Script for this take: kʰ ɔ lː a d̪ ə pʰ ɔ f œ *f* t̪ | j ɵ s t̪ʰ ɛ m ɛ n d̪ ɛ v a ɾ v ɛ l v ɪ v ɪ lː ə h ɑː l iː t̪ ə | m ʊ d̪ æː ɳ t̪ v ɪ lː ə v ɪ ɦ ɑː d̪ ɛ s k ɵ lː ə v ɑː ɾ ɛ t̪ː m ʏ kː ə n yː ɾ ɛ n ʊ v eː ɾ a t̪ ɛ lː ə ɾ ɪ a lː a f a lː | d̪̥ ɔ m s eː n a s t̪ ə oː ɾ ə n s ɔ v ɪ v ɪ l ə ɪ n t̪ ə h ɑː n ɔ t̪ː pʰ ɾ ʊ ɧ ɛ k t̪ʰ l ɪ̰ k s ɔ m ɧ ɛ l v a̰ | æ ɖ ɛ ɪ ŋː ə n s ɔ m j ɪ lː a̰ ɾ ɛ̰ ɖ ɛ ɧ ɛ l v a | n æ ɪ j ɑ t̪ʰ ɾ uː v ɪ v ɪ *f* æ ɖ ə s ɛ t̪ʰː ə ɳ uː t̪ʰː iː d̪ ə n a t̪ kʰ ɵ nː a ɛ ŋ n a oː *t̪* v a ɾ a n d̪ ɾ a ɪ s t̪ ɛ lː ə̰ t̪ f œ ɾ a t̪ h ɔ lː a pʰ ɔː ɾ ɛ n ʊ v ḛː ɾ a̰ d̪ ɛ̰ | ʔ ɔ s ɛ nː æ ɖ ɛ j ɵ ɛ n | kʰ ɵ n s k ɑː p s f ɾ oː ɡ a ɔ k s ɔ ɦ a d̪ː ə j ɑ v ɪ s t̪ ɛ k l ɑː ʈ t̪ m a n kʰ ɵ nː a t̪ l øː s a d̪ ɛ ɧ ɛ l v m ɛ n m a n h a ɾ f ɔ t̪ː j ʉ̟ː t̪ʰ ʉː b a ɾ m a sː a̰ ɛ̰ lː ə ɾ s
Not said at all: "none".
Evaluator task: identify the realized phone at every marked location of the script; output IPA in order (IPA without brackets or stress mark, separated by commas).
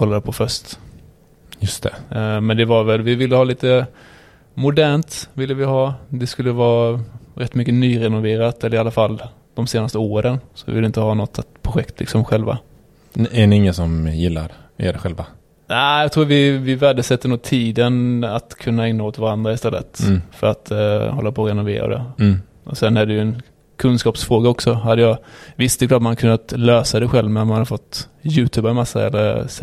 ʂ, v, t̪